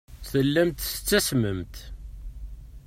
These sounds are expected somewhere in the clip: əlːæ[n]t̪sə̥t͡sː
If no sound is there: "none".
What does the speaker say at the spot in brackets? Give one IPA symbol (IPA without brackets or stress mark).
m